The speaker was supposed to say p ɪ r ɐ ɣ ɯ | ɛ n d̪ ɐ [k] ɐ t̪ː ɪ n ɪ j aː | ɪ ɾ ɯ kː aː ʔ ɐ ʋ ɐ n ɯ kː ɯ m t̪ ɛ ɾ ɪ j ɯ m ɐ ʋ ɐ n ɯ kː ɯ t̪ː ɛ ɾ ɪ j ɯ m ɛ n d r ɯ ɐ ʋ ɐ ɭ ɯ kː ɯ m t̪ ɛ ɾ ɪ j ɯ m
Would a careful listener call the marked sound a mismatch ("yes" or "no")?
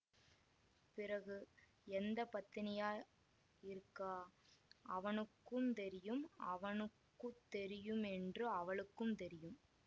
yes